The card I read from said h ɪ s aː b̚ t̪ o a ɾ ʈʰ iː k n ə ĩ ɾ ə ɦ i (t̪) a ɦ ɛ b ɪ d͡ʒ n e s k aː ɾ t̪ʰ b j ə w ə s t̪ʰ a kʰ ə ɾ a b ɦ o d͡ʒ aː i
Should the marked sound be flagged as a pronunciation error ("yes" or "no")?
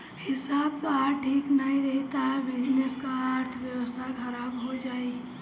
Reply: no